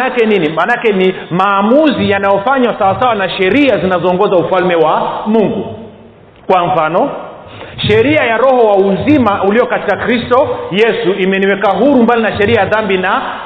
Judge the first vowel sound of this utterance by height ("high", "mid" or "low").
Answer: low